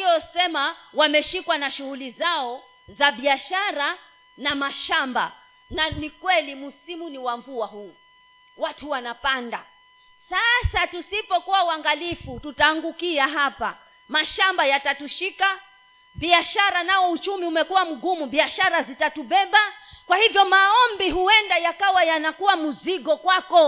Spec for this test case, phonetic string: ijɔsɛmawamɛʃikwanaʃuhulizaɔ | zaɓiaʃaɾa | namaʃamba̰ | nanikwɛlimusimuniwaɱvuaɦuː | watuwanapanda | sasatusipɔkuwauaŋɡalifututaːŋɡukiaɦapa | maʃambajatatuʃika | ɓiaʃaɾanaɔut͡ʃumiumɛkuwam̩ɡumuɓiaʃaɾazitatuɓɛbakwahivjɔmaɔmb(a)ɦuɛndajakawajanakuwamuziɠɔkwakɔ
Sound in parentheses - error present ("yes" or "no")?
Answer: yes